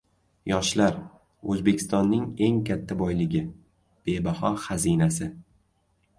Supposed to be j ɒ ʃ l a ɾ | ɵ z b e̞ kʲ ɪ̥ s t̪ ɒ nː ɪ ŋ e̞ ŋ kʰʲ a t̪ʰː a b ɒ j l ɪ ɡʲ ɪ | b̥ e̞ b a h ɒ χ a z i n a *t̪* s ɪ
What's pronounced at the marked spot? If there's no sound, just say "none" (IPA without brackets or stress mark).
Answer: none